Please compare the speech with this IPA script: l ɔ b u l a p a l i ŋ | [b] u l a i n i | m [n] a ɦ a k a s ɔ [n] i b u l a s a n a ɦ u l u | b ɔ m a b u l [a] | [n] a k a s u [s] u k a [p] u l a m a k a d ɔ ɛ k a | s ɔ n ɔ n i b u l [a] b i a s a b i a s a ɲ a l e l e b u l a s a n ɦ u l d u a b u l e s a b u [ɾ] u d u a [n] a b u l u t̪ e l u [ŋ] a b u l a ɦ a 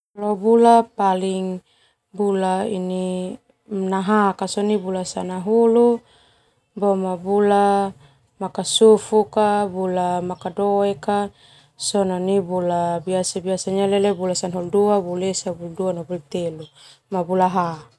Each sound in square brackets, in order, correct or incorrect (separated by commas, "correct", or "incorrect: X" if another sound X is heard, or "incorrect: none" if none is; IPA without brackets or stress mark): correct, correct, correct, correct, incorrect: m, incorrect: f, incorrect: b, correct, incorrect: l, correct, incorrect: m